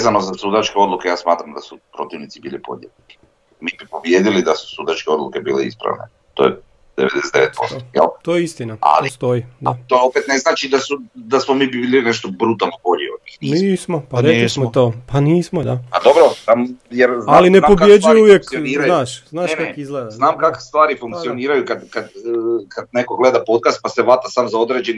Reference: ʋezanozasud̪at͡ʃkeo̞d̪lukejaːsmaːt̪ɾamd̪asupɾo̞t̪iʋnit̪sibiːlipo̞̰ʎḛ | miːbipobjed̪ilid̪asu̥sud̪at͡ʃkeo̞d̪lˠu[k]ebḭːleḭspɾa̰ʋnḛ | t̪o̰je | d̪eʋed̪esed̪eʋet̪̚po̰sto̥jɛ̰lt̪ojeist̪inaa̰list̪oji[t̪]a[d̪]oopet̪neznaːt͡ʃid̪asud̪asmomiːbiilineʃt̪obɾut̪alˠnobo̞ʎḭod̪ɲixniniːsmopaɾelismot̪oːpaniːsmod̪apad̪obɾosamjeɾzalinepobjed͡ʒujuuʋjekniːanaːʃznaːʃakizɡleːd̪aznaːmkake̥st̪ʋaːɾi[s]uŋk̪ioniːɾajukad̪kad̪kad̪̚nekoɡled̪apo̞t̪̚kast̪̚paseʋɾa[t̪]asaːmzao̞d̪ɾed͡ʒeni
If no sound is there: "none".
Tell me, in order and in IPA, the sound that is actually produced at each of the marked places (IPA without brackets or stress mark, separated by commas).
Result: k, d̪, t̪, f, t̪